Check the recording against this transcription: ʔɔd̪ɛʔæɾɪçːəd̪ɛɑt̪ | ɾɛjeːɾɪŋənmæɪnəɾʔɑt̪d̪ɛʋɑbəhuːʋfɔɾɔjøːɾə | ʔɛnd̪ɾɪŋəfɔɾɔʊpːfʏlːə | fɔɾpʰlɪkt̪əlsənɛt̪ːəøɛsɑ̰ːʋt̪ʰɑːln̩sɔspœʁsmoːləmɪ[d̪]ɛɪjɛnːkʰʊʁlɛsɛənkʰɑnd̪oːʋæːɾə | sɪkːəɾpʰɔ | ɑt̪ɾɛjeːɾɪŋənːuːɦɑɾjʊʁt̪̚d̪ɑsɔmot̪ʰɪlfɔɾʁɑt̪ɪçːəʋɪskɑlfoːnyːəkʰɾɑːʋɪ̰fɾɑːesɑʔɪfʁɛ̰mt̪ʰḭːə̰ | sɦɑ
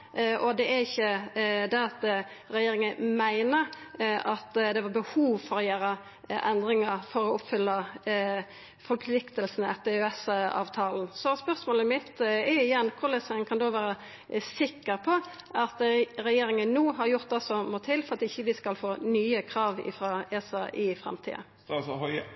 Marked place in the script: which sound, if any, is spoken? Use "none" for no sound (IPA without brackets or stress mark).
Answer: t̪